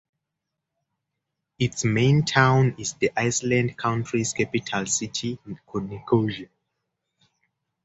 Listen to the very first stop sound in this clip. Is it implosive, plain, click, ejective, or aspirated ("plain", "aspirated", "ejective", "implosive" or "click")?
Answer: plain